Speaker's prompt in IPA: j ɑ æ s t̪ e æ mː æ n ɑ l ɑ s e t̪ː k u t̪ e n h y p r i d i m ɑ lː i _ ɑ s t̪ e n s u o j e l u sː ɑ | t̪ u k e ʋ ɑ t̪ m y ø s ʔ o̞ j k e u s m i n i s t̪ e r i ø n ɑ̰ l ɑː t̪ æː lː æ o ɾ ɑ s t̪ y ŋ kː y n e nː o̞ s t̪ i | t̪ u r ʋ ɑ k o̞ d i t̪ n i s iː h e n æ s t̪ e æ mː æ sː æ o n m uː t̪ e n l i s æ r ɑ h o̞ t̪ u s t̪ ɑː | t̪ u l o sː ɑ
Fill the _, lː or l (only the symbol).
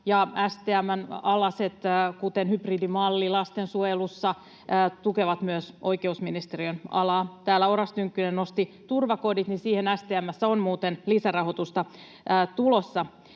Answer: l